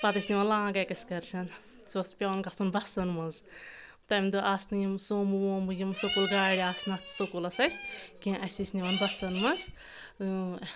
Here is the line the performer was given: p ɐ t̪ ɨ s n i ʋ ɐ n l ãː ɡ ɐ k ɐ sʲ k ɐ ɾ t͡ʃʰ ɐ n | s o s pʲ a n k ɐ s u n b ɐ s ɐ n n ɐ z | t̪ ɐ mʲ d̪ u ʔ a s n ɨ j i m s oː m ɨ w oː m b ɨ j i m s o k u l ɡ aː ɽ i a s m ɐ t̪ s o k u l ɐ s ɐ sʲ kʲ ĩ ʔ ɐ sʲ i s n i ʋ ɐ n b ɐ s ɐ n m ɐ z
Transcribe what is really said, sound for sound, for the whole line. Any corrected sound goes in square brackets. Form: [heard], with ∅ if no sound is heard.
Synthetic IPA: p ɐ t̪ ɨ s n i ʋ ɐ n l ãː ɡ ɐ k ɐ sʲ k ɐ ɾ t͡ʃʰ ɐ n | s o s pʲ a n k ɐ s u n b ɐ s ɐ n [m] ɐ z | t̪ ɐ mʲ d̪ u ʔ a s n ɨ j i m s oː m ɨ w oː m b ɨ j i m s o k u l ɡ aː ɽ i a s [n] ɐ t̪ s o k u l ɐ s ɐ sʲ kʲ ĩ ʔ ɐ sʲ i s n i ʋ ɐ n b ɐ s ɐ n m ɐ z

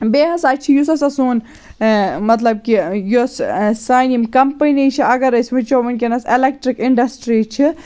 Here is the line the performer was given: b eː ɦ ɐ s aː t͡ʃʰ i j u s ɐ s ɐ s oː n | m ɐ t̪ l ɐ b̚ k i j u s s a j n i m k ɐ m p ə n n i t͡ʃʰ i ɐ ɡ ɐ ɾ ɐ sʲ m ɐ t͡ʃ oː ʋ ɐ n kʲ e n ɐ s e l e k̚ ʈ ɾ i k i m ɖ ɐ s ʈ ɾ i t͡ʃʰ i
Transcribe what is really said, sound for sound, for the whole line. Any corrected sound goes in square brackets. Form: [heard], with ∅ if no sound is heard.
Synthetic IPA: b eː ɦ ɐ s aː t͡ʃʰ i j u s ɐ s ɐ s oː n | m ɐ t̪ l ɐ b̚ k i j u s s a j n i m k ɐ m p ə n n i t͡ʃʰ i ɐ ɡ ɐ ɾ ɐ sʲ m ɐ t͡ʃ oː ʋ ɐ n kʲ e n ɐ s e l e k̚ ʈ ɾ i k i [ɳ] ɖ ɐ s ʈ ɾ i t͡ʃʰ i

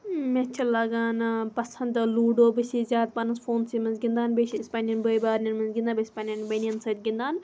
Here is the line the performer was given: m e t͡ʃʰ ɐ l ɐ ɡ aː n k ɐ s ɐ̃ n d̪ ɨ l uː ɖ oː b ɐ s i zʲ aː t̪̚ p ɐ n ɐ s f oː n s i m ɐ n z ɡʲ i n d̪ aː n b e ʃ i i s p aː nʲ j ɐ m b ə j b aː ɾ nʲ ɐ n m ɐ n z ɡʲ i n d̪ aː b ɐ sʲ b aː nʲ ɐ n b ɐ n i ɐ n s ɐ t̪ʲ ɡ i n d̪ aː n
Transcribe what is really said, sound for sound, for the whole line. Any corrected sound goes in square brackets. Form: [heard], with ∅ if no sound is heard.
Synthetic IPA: m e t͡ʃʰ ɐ l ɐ ɡ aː n [p] ɐ s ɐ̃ n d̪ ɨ l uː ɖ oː b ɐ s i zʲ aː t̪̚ p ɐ n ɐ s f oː n s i m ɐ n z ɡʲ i n d̪ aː n b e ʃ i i s p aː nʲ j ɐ [n] b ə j b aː ɾ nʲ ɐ n m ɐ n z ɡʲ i n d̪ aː b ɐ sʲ [p] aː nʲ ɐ n b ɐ n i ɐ n s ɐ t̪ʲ ɡ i n d̪ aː n

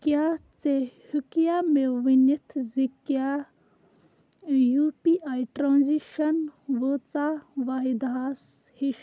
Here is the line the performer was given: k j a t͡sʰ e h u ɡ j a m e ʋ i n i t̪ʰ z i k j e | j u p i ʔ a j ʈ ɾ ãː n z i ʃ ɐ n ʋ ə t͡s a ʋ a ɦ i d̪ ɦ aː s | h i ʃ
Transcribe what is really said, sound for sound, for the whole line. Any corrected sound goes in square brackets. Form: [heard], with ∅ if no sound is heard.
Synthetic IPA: k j a [t͡s] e h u [k] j a m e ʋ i n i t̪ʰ z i k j [a] | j u p i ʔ a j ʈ ɾ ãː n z i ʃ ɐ n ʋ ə t͡s a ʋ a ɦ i d̪ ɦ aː s | h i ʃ

